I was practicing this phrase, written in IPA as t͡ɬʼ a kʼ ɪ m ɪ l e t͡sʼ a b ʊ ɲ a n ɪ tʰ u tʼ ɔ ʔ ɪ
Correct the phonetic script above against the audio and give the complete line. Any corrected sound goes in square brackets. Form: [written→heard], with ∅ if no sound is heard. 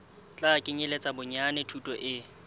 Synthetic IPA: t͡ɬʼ a kʼ ɪ [m→ɲ] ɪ l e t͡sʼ a b ʊ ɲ a n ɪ tʰ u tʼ ɔ ʔ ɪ